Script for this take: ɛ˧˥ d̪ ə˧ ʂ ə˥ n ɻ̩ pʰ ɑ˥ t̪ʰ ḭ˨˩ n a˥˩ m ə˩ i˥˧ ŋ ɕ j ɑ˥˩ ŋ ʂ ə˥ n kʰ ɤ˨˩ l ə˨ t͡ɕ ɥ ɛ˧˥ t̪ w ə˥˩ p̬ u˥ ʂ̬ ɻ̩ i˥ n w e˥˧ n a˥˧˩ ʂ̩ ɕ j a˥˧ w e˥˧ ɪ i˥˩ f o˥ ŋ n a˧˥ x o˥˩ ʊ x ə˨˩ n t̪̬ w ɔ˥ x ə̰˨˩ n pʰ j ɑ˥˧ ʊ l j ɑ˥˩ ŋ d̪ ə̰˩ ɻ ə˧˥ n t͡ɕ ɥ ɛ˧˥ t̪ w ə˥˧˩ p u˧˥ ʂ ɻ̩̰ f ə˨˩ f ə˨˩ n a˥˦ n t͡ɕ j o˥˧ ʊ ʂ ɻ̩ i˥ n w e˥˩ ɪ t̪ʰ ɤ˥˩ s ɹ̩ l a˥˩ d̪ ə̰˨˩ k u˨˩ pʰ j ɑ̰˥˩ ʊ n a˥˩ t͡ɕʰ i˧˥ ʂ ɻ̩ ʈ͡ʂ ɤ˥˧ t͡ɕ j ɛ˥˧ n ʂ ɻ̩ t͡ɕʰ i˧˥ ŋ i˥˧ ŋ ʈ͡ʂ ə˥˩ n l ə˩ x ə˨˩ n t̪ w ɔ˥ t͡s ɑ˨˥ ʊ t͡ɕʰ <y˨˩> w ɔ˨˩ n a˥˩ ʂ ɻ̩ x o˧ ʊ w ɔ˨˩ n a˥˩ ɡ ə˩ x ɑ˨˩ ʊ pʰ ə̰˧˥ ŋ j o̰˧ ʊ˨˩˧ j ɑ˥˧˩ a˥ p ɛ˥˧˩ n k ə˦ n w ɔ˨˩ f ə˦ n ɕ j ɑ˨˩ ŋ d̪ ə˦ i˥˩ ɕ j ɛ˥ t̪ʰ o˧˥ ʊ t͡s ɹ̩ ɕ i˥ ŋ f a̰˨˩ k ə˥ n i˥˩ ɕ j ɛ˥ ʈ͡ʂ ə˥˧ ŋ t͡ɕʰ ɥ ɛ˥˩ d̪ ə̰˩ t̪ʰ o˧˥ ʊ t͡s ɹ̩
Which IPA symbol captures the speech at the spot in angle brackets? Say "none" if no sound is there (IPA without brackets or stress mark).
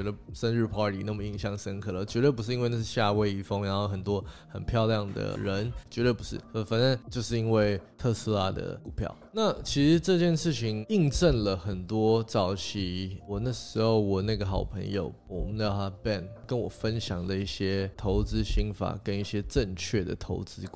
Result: i˨˩